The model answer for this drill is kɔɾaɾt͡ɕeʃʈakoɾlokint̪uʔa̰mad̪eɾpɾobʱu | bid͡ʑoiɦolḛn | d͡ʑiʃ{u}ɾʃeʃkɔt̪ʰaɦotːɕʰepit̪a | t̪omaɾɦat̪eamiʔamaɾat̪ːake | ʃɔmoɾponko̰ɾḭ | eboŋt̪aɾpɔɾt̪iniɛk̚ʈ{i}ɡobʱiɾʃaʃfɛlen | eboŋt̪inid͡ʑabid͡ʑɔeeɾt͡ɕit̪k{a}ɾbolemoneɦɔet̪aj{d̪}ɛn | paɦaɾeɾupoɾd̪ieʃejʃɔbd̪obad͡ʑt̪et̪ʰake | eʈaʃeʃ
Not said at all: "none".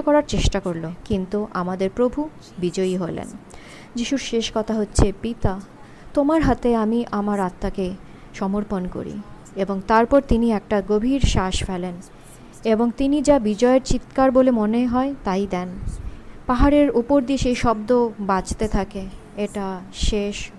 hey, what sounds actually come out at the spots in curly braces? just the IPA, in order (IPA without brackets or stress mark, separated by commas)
u, a, a, d̪